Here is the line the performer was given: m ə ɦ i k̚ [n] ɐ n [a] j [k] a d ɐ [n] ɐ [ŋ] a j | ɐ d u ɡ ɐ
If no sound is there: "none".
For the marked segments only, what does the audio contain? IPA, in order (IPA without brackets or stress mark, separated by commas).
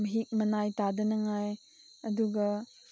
m, a, t, n, ŋ